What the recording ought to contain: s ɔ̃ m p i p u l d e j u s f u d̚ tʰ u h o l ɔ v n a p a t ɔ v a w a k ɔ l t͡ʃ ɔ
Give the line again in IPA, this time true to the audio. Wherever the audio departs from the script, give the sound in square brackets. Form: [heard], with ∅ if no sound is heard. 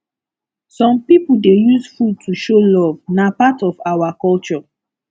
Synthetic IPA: s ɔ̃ m p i p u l d e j u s f u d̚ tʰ u [ʃ] o l ɔ v n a p a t ɔ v a w a k ɔ l t͡ʃ ɔ